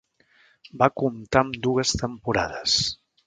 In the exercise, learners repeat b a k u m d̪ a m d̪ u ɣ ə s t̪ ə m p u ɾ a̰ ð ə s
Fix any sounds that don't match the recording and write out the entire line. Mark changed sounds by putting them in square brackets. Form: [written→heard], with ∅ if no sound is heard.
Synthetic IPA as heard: b a k u m [d̪→t̪] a m d̪ u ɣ ə s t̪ ə m p u ɾ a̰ ð ə s